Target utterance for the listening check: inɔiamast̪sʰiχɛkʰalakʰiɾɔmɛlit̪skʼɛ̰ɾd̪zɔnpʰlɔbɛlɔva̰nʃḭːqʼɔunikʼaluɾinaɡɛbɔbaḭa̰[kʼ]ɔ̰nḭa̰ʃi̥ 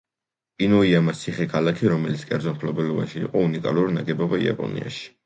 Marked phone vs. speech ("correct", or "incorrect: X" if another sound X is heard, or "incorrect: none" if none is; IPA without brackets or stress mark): incorrect: pʼ